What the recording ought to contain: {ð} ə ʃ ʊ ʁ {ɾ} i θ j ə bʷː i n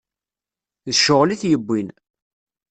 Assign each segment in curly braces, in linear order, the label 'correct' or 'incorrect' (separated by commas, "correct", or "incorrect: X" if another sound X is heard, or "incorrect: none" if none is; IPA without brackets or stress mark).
correct, incorrect: l